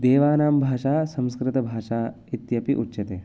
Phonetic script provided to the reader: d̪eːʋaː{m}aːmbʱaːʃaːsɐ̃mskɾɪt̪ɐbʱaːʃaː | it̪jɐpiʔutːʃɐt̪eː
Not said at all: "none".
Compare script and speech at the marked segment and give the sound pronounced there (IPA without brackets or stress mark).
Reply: n